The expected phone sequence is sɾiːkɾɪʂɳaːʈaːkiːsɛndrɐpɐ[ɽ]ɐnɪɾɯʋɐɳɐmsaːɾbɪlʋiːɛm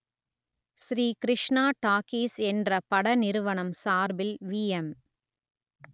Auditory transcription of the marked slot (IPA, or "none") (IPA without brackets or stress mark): ɽ